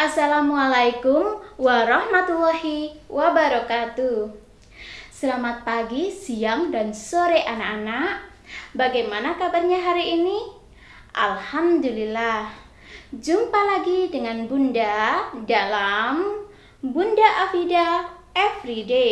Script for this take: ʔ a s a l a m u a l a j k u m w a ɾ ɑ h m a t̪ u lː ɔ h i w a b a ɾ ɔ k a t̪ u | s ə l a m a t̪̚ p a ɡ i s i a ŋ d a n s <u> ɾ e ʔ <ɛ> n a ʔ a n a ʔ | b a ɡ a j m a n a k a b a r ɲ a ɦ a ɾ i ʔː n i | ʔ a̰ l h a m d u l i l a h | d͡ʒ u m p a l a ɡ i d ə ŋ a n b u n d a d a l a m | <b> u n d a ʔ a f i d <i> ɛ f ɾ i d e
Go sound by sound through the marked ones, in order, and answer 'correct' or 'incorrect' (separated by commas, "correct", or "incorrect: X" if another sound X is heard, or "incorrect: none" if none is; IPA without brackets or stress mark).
incorrect: o, incorrect: a, correct, incorrect: a